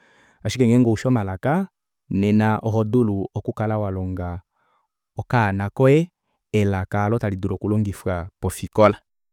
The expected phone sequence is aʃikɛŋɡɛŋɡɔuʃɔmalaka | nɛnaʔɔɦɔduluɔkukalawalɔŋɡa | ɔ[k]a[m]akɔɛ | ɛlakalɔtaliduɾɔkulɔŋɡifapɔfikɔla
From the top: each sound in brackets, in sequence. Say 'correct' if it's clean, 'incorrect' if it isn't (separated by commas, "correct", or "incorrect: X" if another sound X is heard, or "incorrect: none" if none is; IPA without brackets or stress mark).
correct, incorrect: n